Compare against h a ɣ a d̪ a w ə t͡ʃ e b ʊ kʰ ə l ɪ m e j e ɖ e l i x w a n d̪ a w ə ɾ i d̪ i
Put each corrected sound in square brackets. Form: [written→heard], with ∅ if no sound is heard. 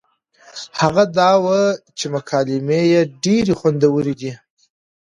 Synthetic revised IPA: h a ɣ a d̪ [a→ɑ] w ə t͡ʃ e [b→m] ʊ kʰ [ə→ɑ] l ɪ m e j e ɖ e [l→ɾ] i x w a n d̪ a w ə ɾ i d̪ i